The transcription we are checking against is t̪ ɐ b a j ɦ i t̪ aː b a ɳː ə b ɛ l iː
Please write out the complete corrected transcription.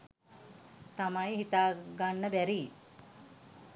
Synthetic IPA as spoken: t̪ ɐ m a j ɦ i t̪ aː ɡ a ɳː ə b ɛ ɾ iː

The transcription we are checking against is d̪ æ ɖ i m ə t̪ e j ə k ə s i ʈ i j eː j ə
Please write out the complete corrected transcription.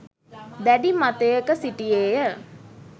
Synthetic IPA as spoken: d̪ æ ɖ i m a t̪ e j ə k ə s i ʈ i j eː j ə

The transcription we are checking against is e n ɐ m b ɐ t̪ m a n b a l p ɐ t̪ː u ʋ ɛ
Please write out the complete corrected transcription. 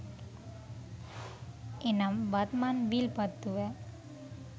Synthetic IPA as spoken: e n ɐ m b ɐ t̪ m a n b i l p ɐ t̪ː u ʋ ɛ

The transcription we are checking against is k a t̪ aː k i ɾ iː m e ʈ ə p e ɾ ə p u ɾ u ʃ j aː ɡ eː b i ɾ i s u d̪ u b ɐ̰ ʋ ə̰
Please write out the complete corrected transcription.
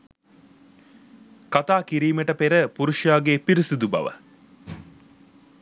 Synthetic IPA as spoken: k a t̪ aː k i ɾ iː m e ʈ ə p e ɾ ə p u ɾ u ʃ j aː ɡ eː p i ɾ i s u d̪ u b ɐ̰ ʋ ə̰

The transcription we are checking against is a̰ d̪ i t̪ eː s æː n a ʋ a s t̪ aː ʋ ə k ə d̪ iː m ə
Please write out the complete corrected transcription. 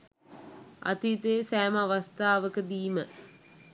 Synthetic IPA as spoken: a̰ t̪ i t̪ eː s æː m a ʋ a s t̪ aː ʋ ə k ə d̪ iː m ə

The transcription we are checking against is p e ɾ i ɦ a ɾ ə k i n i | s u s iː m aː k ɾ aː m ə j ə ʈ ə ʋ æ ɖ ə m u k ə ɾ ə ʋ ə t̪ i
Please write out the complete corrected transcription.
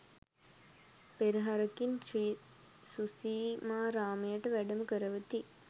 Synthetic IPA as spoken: p e ɾ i ɦ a ɾ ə k i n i | s u s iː m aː ɾ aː m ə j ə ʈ ə ʋ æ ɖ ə m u k ə ɾ ə ʋ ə t̪ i

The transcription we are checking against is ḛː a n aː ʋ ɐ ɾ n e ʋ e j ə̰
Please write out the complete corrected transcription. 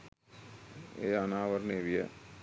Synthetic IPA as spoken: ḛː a n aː ʋ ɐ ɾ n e ʋ i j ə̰

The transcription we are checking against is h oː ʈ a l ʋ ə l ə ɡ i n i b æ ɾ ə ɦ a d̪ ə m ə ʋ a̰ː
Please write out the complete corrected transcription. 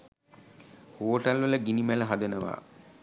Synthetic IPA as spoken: h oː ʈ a l ʋ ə l ə ɡ i n i m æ l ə ɦ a d̪ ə n ə ʋ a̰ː

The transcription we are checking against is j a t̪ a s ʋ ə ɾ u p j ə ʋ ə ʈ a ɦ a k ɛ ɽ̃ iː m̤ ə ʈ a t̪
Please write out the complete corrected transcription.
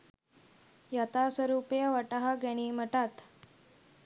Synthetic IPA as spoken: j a t̪ a s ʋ ə ɾ u p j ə ʋ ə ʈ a ɦ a ɡ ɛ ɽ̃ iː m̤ ə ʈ a t̪

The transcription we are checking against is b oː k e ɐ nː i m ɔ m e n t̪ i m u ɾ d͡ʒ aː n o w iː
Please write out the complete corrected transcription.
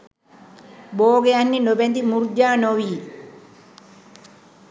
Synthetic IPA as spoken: b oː ɡ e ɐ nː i n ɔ b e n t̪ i m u ɾ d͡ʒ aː n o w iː

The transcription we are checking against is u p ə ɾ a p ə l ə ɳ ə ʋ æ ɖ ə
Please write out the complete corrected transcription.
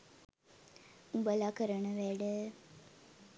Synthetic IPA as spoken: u b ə l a k ə ɾ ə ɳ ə ʋ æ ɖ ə

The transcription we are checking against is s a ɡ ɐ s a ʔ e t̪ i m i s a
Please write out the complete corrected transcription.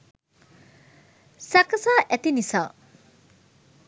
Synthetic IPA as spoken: s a k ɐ s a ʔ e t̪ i n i s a

